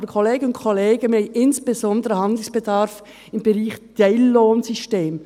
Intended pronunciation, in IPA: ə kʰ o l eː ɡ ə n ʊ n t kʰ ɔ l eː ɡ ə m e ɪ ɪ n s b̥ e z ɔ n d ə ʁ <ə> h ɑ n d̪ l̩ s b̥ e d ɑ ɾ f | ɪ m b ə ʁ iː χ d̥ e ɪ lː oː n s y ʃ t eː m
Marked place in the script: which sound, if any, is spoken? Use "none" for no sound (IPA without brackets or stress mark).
ə